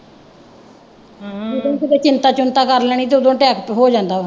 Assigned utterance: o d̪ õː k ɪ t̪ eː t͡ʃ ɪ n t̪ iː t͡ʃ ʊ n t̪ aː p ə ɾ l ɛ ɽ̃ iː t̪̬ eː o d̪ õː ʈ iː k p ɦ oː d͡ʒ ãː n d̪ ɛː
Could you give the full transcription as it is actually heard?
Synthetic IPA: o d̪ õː k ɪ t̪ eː t͡ʃ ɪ n t̪ aː t͡ʃ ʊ n t̪ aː k ə ɾ l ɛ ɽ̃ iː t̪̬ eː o d̪ õː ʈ ɛː k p ɦ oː d͡ʒ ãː n d̪ aː